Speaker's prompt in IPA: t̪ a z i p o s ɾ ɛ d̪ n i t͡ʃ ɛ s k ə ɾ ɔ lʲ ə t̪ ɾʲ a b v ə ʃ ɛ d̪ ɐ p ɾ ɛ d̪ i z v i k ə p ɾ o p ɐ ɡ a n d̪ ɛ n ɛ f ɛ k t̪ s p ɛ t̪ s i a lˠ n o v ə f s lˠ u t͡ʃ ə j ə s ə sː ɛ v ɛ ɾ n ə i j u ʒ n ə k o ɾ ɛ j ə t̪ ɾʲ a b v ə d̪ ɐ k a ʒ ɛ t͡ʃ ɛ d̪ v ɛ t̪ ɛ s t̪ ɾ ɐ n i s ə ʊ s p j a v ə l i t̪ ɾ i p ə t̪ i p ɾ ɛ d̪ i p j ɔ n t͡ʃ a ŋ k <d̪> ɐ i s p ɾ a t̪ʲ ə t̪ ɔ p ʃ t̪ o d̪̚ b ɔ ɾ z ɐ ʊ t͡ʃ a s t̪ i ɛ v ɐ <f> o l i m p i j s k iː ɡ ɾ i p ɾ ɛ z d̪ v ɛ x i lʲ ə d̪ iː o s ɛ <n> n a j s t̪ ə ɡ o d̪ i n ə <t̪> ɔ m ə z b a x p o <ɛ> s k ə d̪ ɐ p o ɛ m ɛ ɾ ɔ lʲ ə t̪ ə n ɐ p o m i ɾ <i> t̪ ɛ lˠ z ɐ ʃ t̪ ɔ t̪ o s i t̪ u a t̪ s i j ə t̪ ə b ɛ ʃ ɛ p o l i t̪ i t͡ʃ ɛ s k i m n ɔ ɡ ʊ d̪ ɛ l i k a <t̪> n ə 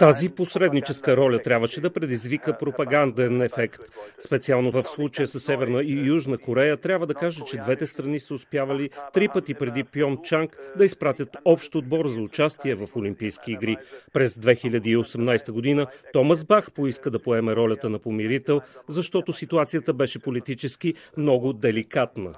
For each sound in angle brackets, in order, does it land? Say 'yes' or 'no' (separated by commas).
yes, yes, no, yes, no, yes, yes